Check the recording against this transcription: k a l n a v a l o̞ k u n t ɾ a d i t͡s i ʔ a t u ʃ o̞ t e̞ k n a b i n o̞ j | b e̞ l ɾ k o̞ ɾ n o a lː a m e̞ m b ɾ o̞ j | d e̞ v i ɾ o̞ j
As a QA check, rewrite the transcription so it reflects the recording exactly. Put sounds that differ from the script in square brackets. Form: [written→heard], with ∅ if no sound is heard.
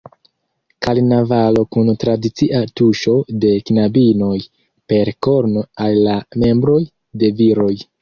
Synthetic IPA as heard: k a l n a v a l o̞ k u n t ɾ a d i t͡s i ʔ a t u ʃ o̞ [t→d] e̞ k n a b i n o̞ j | [b→p] e̞ [l→∅] ɾ k o̞ ɾ n o a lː a m e̞ m b ɾ o̞ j | d e̞ v i ɾ o̞ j